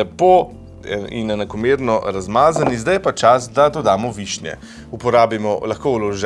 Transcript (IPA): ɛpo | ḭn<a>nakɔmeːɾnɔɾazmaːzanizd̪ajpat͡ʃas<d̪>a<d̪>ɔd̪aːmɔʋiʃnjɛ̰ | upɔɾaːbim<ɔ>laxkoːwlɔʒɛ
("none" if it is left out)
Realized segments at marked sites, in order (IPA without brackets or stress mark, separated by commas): ɛ, d̪, d̪, ɔ